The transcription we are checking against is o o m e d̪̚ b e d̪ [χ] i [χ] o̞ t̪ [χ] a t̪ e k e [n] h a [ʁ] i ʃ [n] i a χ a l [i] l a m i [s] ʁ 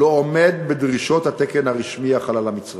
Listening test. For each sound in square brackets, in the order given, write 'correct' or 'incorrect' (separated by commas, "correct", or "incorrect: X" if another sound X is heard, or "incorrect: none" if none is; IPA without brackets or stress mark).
incorrect: ʁ, incorrect: ʃ, incorrect: h, correct, correct, incorrect: m, incorrect: a, incorrect: t͡s